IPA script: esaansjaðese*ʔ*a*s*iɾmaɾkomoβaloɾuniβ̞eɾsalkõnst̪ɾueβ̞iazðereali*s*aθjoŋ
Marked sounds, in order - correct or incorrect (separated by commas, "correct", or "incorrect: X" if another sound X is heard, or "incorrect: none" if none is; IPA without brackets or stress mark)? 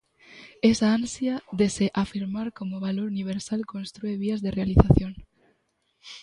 correct, incorrect: f, incorrect: θ